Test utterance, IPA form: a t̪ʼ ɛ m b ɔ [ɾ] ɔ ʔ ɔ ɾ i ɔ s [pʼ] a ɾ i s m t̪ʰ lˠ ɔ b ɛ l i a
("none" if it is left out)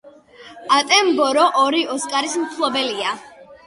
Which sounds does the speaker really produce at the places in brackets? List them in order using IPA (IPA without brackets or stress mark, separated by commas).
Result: ɾ, kʼ